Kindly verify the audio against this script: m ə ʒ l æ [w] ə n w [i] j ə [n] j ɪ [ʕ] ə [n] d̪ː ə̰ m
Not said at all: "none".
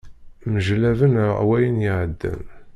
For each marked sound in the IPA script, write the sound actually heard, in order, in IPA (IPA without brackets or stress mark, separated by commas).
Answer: v, æ, n, ʕ, none